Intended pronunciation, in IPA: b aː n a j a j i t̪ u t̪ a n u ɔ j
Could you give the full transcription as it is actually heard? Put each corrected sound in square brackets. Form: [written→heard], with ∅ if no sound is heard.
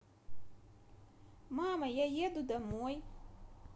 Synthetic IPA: [b→m] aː [n→m] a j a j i [t̪→d̪] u [t̪→d̪] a [n→m] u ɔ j